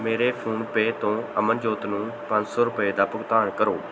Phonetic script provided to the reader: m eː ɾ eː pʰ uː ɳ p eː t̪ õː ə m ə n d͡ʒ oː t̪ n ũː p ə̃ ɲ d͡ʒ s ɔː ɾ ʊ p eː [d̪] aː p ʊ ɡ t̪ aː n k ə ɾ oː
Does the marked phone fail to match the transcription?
no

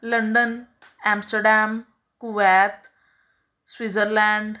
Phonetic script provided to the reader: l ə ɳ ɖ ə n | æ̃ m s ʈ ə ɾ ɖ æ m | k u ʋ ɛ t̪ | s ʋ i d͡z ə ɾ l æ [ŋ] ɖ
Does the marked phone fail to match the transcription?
yes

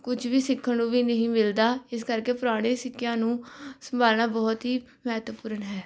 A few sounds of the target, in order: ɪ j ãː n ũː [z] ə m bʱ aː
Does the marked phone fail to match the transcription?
yes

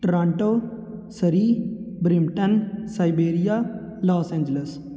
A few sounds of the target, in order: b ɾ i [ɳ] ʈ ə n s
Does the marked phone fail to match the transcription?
yes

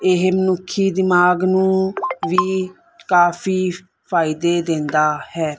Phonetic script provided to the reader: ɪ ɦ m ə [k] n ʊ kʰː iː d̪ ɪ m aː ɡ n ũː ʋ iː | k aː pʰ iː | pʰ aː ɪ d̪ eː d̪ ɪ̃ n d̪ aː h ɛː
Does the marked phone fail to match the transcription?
yes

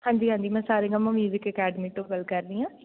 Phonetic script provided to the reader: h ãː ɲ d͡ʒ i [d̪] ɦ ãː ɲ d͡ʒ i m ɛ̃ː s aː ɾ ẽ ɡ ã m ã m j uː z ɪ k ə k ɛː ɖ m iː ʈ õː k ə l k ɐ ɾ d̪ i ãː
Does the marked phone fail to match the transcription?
yes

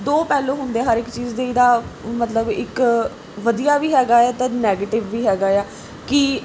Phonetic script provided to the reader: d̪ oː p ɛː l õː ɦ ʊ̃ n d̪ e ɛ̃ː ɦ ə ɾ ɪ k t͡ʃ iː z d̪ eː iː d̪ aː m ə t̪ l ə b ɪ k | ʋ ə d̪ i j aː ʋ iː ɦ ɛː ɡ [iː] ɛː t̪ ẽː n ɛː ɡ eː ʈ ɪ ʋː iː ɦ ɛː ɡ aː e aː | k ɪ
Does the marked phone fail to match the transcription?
yes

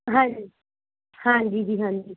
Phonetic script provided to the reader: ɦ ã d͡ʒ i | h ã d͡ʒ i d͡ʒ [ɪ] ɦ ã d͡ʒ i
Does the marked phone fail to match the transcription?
yes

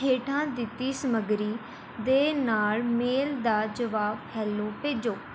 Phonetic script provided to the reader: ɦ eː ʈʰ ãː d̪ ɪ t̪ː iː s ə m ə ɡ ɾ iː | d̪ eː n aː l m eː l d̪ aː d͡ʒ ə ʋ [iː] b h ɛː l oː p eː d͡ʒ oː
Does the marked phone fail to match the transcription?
yes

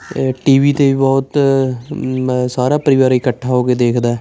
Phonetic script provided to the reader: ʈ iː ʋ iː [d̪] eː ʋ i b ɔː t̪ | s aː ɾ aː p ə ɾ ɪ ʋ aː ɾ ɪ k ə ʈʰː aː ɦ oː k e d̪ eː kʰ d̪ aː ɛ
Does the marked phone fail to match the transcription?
yes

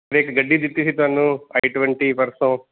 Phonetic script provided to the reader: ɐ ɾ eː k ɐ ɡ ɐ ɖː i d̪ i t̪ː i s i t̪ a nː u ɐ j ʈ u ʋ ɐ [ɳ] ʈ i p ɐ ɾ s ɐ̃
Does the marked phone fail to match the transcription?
no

